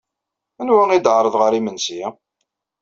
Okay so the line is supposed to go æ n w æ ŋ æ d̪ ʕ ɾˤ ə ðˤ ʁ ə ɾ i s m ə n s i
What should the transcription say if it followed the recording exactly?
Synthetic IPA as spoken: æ n w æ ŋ i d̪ ʕ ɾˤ ə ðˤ ʁ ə ɾ i m ə n s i